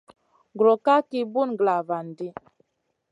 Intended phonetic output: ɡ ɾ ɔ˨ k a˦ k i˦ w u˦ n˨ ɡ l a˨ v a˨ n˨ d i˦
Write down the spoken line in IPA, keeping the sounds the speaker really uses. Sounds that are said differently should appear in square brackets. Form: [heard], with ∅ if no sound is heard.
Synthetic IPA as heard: ɡ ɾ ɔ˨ k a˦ k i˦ [b] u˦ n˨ ɡ l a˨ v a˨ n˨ d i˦